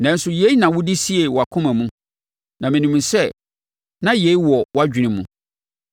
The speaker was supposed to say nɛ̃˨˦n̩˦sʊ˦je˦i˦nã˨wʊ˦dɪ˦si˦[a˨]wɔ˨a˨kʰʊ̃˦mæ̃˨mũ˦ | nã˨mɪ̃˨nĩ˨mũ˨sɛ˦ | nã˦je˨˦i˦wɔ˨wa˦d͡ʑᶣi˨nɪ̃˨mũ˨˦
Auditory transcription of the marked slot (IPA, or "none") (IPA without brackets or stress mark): e˨